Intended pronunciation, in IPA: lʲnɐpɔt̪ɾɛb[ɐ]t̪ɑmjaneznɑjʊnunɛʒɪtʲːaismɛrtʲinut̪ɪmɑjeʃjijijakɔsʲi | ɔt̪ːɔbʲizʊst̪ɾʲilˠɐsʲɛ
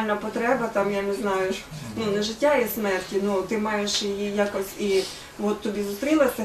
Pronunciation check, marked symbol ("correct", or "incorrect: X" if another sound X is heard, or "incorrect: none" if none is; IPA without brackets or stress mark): correct